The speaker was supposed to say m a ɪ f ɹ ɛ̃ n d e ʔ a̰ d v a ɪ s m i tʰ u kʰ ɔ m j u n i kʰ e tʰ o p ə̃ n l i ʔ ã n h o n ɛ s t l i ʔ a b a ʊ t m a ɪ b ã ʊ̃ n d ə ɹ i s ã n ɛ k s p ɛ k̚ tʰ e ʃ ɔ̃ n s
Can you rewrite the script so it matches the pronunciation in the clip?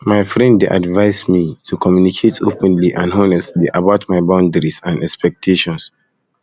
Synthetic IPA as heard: m a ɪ f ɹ ɛ̃ n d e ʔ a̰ d v a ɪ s m i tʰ u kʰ ɔ m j u n i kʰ e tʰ o p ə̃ n l i ʔ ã n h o n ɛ s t l i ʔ a b a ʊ t m a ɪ b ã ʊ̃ n d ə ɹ i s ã n ɛ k s p ɛ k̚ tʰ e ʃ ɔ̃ n s